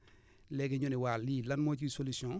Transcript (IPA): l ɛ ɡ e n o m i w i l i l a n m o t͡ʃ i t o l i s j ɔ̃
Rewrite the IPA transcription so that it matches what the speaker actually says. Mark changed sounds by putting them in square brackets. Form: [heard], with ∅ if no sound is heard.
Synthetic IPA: l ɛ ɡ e [ɲ] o [n] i w [a] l i l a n m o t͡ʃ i [s] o l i s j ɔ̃